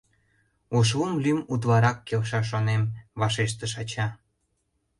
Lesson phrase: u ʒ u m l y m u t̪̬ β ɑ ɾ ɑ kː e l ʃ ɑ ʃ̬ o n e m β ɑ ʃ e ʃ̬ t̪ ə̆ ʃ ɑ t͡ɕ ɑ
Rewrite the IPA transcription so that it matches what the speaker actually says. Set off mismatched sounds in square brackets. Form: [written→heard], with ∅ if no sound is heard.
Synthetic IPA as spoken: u [ʒ→ʃ] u m l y m u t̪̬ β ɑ ɾ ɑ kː e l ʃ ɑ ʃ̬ o n e m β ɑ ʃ e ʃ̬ t̪ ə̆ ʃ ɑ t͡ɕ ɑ